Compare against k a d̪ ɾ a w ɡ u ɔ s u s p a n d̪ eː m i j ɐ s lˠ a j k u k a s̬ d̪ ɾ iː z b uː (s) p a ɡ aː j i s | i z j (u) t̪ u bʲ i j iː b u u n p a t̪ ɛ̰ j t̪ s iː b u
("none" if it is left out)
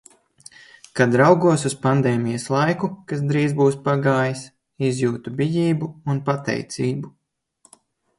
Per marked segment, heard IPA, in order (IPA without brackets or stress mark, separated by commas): s, uː